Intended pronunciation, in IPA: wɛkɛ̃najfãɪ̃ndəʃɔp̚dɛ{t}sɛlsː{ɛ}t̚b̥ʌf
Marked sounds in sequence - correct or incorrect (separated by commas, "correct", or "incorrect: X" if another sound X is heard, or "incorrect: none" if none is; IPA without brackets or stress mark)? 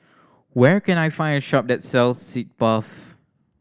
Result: correct, incorrect: i